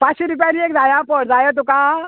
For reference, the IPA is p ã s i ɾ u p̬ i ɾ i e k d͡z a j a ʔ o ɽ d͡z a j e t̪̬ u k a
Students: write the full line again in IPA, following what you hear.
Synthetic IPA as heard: p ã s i ɾ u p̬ a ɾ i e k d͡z a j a p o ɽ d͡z a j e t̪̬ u k a